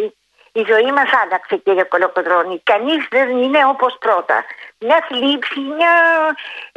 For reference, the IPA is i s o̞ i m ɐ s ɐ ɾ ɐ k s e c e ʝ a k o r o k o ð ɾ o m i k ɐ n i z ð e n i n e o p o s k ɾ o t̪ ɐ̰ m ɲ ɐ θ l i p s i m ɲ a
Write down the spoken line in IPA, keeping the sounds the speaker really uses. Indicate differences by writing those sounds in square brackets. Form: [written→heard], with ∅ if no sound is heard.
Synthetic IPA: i [s→z] o̞ i m ɐ s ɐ [ɾ→l] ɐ k s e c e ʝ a k o [r→l] o k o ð ɾ o [m→n] i k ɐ n i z ð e n i n e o p o s [k→p] ɾ o t̪ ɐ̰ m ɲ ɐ θ l i p s i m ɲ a